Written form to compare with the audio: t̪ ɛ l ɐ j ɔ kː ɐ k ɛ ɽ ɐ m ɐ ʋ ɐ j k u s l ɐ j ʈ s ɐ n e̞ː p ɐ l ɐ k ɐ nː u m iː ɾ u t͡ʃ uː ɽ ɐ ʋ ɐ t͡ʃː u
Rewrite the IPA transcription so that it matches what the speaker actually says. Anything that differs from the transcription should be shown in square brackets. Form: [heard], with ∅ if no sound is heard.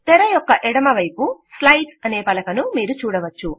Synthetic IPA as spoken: t̪ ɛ [ɾ] ɐ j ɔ kː ɐ [ʔ] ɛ ɽ ɐ m ɐ ʋ ɐ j [p] u s l ɐ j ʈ s ɐ n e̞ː p ɐ l ɐ k ɐ [n] u m iː ɾ u t͡ʃ uː ɽ ɐ ʋ ɐ t͡ʃː u